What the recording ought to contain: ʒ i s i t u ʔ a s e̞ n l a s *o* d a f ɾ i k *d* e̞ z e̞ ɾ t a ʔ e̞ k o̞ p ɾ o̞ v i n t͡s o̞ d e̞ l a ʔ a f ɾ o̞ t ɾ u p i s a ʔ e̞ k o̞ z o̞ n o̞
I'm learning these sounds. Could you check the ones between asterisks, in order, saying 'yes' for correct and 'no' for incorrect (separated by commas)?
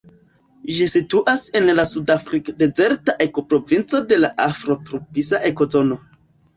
no, yes